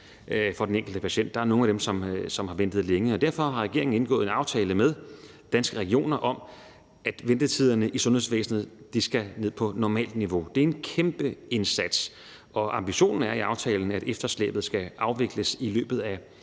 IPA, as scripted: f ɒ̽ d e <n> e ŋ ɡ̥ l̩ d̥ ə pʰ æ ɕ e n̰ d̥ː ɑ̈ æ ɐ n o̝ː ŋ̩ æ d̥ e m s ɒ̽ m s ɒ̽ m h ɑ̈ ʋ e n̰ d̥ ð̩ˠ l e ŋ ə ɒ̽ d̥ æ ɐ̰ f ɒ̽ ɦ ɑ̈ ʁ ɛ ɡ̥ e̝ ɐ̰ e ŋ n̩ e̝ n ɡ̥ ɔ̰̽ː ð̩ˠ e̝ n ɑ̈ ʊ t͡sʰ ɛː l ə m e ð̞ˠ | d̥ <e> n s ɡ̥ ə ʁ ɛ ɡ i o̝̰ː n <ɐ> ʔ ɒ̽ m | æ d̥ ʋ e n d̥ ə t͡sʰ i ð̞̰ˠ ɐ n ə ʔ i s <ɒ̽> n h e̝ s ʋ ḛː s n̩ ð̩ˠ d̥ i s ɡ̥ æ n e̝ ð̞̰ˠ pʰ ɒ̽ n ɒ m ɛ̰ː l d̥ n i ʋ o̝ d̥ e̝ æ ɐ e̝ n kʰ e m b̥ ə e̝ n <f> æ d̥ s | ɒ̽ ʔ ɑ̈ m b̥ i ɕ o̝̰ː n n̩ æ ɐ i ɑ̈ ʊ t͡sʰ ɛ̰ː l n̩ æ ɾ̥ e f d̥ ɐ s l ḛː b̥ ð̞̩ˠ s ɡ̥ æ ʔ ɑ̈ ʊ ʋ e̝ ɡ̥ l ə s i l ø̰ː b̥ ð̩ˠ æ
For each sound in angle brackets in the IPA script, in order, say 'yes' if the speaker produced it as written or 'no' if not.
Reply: yes, no, yes, no, no

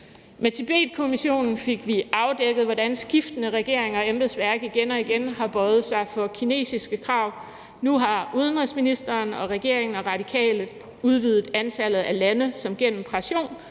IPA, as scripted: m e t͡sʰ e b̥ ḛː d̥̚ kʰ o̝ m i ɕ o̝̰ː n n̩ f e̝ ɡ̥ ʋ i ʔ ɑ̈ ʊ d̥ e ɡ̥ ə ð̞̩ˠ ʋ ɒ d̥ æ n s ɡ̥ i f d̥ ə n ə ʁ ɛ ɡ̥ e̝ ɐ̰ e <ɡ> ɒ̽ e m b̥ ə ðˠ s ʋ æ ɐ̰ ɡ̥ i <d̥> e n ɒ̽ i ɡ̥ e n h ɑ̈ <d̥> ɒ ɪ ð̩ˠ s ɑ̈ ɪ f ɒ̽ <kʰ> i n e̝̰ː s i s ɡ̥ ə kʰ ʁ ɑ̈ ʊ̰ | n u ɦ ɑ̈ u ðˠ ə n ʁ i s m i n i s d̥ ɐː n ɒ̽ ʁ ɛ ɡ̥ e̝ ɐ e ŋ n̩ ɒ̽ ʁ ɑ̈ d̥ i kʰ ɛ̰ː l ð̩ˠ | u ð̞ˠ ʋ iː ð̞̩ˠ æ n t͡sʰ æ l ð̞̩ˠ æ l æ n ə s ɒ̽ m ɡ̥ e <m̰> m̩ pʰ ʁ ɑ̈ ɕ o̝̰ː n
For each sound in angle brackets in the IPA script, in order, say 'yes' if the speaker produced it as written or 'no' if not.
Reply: no, no, no, yes, no

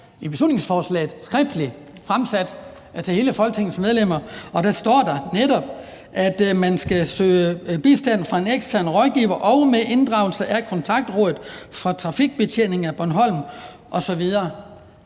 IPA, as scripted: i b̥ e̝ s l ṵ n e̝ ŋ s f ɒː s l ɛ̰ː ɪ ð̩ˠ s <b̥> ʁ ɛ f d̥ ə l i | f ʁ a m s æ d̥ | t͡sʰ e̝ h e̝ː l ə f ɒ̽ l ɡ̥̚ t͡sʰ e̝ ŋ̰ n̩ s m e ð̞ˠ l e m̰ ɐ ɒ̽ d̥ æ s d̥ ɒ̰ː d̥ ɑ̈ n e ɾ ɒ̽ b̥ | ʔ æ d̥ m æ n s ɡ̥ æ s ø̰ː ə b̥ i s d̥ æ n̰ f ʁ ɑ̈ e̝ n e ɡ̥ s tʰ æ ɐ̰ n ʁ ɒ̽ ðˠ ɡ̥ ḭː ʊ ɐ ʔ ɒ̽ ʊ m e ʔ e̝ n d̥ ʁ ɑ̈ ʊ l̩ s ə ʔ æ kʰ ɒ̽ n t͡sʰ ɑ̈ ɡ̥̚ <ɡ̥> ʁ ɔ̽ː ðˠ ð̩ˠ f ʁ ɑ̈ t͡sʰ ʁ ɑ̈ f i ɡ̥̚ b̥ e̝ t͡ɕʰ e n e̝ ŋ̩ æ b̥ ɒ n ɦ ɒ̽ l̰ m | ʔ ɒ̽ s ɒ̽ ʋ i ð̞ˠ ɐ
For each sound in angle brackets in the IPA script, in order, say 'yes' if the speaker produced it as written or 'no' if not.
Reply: no, no

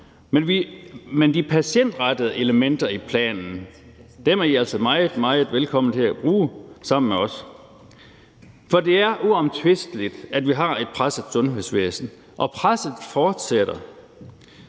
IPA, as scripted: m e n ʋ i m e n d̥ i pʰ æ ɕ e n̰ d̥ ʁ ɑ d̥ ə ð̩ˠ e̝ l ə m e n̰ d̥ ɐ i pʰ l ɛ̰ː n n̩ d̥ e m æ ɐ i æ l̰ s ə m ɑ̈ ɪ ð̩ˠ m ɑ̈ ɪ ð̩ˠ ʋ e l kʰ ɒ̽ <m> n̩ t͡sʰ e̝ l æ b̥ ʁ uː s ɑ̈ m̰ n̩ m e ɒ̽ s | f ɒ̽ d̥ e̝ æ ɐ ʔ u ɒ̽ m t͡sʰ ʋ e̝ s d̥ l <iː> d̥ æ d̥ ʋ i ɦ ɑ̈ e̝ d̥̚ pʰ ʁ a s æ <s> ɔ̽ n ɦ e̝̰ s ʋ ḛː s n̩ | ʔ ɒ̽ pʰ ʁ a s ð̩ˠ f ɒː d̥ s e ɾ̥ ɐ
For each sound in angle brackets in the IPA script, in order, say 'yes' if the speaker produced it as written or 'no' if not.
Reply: yes, no, yes

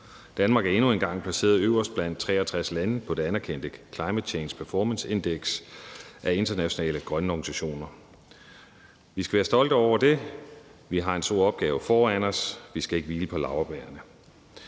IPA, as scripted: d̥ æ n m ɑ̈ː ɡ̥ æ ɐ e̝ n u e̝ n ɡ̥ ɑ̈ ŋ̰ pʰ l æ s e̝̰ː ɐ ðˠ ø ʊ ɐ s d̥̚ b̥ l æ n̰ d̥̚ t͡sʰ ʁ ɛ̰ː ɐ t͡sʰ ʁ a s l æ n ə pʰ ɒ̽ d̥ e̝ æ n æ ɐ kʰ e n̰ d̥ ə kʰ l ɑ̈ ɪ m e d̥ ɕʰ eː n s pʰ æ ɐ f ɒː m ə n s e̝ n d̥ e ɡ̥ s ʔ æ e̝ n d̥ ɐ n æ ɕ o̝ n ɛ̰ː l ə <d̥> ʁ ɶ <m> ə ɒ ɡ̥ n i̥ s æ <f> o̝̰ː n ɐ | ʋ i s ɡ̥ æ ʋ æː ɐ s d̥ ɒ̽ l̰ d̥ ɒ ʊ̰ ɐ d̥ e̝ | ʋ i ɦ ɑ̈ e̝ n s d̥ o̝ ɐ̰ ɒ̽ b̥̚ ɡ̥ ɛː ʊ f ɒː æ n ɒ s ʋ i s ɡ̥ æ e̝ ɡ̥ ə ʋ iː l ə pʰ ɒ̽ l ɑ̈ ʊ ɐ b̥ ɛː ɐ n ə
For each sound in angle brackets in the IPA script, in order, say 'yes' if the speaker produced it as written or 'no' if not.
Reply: no, no, no

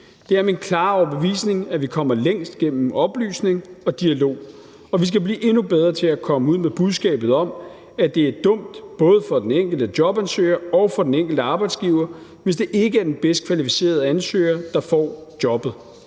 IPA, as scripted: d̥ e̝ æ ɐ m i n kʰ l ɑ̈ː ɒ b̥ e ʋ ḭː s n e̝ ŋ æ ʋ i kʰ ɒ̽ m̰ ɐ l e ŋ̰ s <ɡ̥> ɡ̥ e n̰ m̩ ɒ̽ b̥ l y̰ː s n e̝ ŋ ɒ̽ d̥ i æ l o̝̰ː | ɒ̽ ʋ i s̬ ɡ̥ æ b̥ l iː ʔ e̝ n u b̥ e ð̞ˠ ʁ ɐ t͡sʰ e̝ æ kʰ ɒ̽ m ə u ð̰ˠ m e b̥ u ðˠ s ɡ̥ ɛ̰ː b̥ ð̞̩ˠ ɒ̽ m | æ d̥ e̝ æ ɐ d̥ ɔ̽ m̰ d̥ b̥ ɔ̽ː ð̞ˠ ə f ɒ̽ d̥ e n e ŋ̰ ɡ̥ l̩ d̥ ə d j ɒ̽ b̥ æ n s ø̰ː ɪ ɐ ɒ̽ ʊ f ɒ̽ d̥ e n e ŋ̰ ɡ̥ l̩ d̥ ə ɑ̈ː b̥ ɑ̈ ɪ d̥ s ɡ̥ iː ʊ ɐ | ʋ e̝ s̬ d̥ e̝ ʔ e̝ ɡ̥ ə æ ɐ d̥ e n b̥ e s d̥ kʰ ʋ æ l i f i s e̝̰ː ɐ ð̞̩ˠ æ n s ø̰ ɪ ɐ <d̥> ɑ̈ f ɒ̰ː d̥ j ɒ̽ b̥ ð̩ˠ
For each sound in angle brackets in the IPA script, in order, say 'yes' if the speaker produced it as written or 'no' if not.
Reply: no, yes

